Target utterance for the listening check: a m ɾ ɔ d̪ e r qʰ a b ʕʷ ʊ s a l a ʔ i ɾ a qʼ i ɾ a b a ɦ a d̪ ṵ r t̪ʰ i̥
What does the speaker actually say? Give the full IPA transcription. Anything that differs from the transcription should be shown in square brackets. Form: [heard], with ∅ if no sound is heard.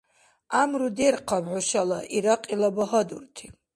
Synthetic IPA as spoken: a m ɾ [u] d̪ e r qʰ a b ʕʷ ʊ [ʃ] a l a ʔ i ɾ a qʼ i [l] a b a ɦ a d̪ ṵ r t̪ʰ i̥

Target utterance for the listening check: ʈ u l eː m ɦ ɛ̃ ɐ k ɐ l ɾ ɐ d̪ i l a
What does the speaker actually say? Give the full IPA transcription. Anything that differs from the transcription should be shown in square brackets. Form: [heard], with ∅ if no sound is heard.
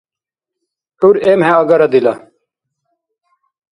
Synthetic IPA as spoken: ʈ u [ɾ] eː m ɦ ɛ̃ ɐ [ɡ] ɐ [∅] ɾ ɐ d̪ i l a

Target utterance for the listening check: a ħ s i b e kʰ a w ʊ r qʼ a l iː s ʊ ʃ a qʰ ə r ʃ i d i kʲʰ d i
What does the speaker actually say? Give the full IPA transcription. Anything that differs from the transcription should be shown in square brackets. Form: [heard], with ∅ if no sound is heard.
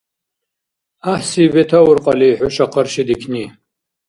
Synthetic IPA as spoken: a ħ s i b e [tʰ] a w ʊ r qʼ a l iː [ħ] ʊ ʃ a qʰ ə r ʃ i d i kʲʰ [n] i

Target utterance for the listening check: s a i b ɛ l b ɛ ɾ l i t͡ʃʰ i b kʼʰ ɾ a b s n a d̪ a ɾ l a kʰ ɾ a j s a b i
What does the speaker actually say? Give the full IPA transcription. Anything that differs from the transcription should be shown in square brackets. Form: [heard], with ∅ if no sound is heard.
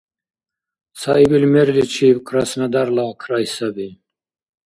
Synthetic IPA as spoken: s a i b [i] l [m] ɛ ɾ l i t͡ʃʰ i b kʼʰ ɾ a [∅] s n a d̪ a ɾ l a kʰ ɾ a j s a b i

